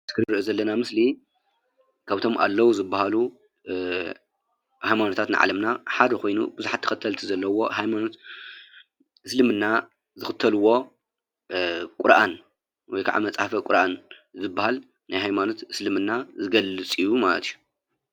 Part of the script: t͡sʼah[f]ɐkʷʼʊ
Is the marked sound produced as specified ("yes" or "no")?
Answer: yes